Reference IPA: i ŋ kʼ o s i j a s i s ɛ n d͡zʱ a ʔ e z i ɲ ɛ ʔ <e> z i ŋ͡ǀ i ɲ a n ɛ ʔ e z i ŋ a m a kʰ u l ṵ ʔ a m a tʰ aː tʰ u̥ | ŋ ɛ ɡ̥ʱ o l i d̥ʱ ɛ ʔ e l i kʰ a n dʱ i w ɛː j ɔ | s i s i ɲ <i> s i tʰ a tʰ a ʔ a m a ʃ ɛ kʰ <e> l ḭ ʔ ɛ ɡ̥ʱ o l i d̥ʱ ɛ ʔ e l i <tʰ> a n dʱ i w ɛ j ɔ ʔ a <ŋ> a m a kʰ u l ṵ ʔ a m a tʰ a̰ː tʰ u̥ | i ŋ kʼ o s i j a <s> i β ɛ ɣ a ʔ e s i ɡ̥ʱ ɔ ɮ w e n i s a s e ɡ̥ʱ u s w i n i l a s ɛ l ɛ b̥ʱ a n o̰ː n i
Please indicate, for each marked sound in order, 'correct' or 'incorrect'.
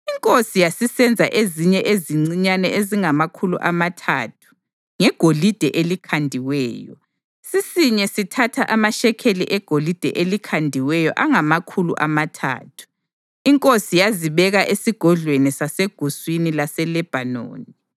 correct, incorrect: ɛ, correct, incorrect: kʰ, correct, incorrect: z

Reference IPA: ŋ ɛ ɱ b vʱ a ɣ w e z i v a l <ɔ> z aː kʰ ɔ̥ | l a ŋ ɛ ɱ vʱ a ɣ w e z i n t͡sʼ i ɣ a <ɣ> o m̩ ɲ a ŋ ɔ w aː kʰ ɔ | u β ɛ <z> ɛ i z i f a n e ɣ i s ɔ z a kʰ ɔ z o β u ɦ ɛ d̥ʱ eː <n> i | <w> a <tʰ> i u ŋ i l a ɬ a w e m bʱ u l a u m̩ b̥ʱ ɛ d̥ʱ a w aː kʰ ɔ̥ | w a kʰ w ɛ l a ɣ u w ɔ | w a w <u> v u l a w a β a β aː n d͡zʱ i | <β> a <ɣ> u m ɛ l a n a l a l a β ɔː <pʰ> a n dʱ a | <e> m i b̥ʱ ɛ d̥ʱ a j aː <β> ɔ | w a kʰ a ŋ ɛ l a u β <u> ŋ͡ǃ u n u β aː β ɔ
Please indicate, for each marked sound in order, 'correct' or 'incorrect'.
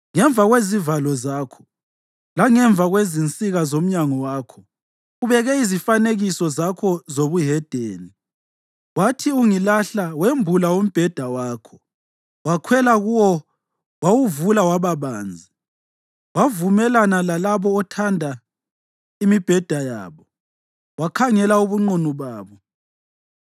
correct, incorrect: z, incorrect: ɣ, correct, correct, correct, correct, incorrect: w, incorrect: v, incorrect: tʰ, incorrect: i, correct, correct

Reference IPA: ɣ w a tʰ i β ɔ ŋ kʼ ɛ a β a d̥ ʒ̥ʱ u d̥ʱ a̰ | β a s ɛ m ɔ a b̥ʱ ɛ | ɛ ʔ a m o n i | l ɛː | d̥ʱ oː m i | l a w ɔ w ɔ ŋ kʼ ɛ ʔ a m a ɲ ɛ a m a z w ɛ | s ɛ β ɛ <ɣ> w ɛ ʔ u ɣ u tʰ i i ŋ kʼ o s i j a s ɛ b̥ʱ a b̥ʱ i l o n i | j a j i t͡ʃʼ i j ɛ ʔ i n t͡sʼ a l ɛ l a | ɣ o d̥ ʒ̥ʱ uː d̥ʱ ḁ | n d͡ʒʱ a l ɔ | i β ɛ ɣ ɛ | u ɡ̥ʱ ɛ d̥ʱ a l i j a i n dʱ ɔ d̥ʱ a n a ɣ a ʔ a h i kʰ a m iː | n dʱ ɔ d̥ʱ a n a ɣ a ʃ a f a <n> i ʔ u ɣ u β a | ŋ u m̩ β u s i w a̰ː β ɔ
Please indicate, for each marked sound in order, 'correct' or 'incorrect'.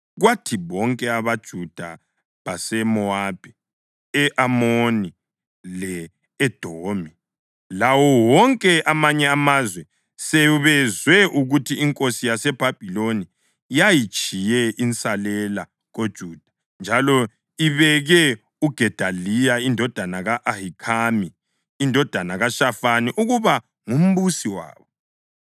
incorrect: z, correct

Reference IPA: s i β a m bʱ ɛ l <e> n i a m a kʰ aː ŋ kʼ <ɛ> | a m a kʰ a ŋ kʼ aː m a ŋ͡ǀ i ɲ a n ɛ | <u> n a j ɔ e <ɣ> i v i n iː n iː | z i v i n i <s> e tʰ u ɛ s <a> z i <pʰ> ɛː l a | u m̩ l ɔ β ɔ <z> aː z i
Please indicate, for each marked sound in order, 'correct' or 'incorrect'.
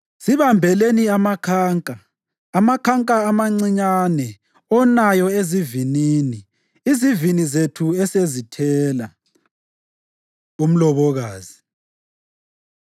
correct, incorrect: a, incorrect: ɔ, incorrect: z, incorrect: z, incorrect: e, incorrect: tʰ, incorrect: ɣ

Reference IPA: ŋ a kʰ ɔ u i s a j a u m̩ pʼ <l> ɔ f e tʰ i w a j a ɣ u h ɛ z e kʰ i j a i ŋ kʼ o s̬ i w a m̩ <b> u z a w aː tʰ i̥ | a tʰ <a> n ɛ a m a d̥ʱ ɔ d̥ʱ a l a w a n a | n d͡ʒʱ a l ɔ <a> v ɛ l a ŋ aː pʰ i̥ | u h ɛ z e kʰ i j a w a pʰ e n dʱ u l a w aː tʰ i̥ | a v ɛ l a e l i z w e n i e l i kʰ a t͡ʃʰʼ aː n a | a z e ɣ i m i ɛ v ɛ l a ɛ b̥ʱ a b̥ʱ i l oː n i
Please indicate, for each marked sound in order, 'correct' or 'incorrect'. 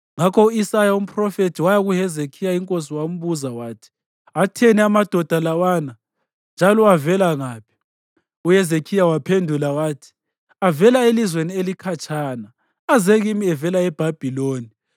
incorrect: r, incorrect: β, incorrect: ɛ, correct

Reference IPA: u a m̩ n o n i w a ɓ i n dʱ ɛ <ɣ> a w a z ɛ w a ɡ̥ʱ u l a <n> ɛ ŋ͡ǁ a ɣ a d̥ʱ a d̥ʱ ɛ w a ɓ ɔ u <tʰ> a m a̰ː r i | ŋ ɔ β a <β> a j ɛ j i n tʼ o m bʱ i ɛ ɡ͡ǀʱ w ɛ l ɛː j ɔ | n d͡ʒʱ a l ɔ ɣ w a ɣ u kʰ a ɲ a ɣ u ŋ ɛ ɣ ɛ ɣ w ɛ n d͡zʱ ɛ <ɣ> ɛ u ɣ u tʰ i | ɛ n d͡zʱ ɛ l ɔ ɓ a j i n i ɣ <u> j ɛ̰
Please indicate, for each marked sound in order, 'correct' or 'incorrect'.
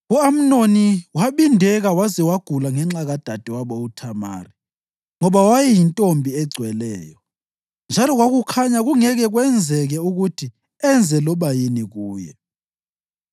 correct, incorrect: ŋ, correct, incorrect: w, correct, incorrect: uː

